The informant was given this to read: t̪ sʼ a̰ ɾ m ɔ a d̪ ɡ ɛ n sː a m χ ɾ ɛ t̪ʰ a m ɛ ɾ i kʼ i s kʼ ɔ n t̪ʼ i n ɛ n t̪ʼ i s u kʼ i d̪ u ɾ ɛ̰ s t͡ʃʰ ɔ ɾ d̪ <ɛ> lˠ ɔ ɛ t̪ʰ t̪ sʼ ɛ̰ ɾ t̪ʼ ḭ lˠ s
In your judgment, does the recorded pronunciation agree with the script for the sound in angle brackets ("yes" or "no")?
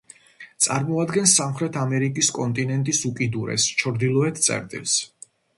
no